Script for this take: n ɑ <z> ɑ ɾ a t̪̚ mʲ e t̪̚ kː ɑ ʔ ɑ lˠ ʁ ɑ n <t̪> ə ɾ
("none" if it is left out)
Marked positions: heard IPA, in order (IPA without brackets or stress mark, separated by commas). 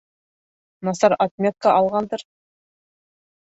s, d̪